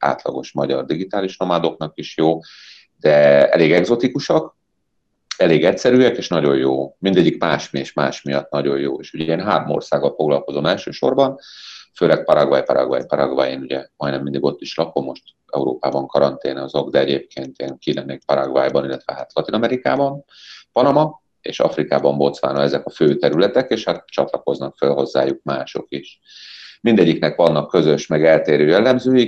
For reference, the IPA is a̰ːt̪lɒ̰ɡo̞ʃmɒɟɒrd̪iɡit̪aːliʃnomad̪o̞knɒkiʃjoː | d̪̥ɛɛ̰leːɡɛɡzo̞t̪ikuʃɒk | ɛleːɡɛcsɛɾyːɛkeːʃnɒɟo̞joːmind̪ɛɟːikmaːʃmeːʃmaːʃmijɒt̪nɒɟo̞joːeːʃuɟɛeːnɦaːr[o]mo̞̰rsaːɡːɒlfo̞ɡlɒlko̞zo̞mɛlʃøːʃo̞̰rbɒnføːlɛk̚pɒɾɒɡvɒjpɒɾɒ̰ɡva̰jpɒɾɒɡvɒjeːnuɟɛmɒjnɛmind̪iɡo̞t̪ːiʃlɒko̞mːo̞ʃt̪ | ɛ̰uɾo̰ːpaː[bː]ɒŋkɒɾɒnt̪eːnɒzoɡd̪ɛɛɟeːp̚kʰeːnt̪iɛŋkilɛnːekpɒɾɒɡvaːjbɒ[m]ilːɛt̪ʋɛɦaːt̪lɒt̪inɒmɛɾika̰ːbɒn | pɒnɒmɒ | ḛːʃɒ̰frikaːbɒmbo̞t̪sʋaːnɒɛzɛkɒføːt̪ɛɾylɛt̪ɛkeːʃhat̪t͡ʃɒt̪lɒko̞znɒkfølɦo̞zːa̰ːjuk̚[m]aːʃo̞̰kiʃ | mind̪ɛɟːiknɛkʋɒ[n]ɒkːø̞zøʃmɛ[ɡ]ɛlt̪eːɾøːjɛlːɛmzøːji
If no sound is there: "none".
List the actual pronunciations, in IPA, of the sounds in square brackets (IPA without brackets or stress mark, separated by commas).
o, b, n, m, nː, ɡ